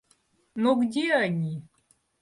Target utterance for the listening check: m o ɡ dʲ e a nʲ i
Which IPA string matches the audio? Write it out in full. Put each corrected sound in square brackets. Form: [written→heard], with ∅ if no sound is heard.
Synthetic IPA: [m→n] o ɡ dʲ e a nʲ i

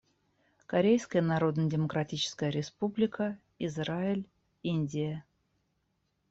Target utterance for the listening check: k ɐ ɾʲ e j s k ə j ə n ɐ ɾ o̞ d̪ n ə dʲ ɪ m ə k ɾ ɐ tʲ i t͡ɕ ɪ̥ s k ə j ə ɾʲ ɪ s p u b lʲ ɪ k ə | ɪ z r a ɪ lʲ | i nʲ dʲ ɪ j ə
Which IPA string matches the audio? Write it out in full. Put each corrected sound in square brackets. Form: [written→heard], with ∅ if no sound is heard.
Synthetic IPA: k ɐ ɾʲ e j s k ə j ə n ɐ ɾ o̞ d̪ n ə dʲ ɪ m ə k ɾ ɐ tʲ i t͡ɕ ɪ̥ s k ə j ə ɾʲ ɪ s p u b lʲ ɪ k ə | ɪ z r a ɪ lʲ | i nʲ dʲ ɪ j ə

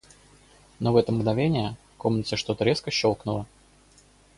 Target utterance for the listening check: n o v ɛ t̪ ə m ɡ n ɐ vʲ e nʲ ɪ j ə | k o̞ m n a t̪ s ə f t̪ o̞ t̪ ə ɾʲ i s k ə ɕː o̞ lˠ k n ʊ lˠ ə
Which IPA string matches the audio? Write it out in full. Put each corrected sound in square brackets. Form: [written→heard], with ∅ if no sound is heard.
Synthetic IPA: n o v ɛ t̪ ə m ɡ n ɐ vʲ e nʲ ɪ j ə | k o̞ m n [a→ə] t̪ s ə [f→ʂ] t̪ o̞ t̪ ə ɾʲ [i→e] s k ə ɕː o̞ lˠ k n ʊ lˠ ə

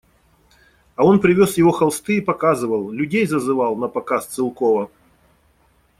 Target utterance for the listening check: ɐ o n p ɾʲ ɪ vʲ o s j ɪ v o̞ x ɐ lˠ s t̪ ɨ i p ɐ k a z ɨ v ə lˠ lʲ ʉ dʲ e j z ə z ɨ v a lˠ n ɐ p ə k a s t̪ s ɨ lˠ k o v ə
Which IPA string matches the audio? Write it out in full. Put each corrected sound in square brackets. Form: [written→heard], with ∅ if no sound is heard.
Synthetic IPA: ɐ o n p ɾʲ ɪ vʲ o s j ɪ v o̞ x ɐ lˠ s t̪ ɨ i p ɐ k a z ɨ v ə lˠ lʲ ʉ dʲ e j z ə z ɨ v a lˠ n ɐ p [ə→ɐ] k a s t̪ s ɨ lˠ k o v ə

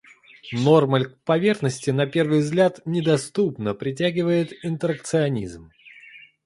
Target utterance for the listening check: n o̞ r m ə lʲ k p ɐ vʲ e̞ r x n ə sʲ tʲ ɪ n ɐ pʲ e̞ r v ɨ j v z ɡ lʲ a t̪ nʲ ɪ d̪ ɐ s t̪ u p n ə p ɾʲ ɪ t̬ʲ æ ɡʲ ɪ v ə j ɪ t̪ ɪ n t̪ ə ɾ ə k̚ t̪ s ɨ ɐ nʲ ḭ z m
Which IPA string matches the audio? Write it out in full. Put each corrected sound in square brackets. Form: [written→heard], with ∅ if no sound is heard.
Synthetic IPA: n o̞ r m ə lʲ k p ɐ vʲ e̞ r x n ə sʲ tʲ ɪ n ɐ pʲ e̞ r v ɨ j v z ɡ lʲ a t̪ nʲ ɪ d̪ ɐ s t̪ u p n ə p ɾʲ ɪ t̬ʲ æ ɡʲ ɪ v ə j ɪ t̪ ɪ n t̪ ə ɾ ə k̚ t̪ s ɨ ɐ nʲ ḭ z m

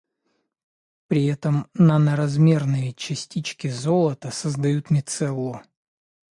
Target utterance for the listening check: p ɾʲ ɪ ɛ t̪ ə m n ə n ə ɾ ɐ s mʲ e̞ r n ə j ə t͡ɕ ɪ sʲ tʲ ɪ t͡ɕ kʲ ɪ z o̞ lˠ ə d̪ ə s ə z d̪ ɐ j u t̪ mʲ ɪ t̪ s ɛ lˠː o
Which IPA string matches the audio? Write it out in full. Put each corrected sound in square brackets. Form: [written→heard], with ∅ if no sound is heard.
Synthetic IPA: p ɾʲ ɪ ɛ t̪ ə m n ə n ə ɾ ɐ [s→z] mʲ e̞ r n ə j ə t͡ɕ ɪ sʲ tʲ [ɪ→i] t͡ɕ kʲ ɪ z o̞ lˠ ə [d̪→t̪] ə s ə z d̪ ɐ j u t̪ mʲ ɪ t̪ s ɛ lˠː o

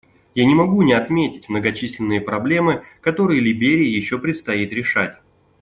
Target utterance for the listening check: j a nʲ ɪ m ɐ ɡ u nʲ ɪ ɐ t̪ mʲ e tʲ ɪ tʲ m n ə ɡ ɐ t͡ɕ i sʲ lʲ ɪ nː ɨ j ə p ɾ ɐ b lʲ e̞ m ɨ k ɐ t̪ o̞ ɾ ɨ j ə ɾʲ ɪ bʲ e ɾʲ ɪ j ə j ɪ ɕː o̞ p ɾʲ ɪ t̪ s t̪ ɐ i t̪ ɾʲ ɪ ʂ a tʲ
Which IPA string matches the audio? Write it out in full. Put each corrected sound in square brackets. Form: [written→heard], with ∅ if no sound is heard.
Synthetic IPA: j a nʲ ɪ m ɐ ɡ u nʲ ɪ ɐ t̪ mʲ e tʲ ɪ tʲ m n ə ɡ ɐ t͡ɕ i sʲ lʲ ɪ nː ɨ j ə p ɾ ɐ b lʲ e̞ m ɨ k ɐ t̪ o̞ ɾ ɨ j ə [ɾʲ→lʲ] ɪ bʲ e ɾʲ ɪ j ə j ɪ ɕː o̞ p ɾʲ ɪ t̪ s t̪ ɐ i t̪ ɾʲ ɪ ʂ a tʲ

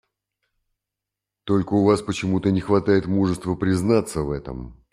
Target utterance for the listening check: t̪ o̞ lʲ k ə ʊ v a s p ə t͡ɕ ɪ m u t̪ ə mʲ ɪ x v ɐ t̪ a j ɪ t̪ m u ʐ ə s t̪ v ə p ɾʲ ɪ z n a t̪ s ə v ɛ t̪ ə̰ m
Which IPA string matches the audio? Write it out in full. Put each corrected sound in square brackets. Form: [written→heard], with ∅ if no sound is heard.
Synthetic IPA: t̪ o̞ lʲ k ə ʊ v a s p ə t͡ɕ ɪ m u t̪ ə [mʲ→nʲ] ɪ x v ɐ t̪ a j ɪ t̪ m u ʐ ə s t̪ v ə p ɾʲ ɪ z n a t̪ s ə v ɛ t̪ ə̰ m

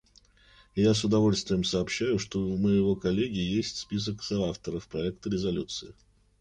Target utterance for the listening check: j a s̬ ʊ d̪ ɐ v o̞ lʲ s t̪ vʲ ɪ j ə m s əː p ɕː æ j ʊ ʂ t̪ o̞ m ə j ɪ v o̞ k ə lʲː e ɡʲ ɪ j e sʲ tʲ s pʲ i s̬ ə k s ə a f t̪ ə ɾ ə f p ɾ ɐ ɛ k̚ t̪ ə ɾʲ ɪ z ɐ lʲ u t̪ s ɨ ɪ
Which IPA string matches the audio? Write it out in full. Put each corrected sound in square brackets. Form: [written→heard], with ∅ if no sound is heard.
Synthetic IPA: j a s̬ ʊ d̪ ɐ v o̞ lʲ s t̪ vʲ ɪ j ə m s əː p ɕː æ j ʊ ʂ t̪ o̞ m ə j ɪ v o̞ k [ə→ɐ] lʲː e ɡʲ ɪ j e sʲ tʲ s pʲ i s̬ ə k s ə a f t̪ ə ɾ ə f p ɾ ɐ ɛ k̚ t̪ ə ɾʲ ɪ z ɐ lʲ u t̪ s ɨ ɪ

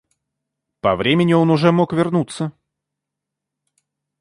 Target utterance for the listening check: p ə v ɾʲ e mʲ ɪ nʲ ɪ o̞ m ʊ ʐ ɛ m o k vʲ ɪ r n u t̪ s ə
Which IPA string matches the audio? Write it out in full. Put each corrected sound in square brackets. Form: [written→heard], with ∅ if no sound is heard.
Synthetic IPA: p [ə→ɐ] v ɾʲ e mʲ ɪ nʲ ɪ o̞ [m→n] ʊ ʐ ɛ m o k vʲ ɪ r n u t̪ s ə

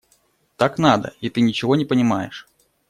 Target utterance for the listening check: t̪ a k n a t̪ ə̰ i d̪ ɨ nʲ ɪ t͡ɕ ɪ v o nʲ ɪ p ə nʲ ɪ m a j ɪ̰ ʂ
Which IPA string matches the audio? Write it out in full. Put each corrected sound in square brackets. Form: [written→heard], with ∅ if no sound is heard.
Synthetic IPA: t̪ a k n a [t̪→d̪] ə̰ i [d̪→t̪] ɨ nʲ ɪ t͡ɕ ɪ v o nʲ ɪ p ə nʲ ɪ m a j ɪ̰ ʂ

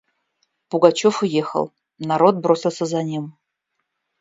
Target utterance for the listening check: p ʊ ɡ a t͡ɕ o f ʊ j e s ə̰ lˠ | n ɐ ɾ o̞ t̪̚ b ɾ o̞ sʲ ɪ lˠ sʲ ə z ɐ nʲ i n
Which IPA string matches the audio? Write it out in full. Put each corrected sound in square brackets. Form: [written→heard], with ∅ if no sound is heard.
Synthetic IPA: p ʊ ɡ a t͡ɕ o f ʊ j e [s→x] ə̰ lˠ | n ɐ ɾ o̞ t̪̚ b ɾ o̞ sʲ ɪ lˠ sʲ ə z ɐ nʲ i [n→m]

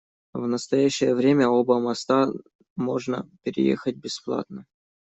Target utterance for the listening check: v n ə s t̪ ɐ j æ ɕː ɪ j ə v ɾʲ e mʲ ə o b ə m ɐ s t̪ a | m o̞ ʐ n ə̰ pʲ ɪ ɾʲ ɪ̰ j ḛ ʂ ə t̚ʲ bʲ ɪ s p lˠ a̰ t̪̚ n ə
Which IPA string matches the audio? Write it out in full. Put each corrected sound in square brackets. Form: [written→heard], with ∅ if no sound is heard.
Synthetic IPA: v n ə s t̪ ɐ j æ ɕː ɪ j ə v ɾʲ e mʲ ə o b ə m ɐ s t̪ a | m o̞ ʐ n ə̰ pʲ ɪ ɾʲ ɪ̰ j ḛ [ʂ→x] ə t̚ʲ bʲ ɪ s p lˠ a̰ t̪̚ n ə

